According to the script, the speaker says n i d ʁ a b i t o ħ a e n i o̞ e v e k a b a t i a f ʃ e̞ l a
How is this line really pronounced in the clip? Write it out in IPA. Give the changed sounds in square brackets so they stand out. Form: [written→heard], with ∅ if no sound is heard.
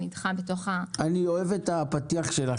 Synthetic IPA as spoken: n i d [ʁ→χ] a b [i→e] t o [ħ→χ] a [e→a] n i o̞ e v e [k→t] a [b→p] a t i a [f→χ] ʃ e̞ l a